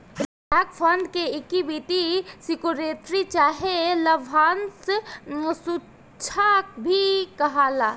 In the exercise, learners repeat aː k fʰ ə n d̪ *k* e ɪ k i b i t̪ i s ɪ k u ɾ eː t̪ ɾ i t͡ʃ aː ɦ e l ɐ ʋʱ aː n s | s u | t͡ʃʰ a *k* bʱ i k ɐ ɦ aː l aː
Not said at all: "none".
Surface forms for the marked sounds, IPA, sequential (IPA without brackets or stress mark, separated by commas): k, k